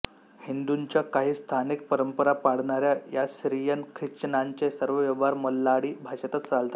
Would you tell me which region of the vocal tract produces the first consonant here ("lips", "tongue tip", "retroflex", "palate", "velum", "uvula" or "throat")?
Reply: throat